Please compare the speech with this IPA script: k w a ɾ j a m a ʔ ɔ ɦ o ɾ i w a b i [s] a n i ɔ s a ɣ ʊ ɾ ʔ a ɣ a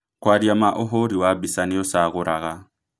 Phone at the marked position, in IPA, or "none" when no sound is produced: s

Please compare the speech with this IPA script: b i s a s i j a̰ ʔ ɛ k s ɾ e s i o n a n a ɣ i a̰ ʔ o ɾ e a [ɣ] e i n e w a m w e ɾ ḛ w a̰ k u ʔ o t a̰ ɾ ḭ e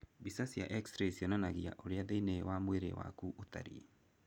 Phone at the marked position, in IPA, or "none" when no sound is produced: ð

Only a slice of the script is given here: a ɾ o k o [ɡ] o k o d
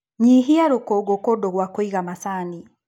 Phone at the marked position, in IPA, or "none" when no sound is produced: ɡ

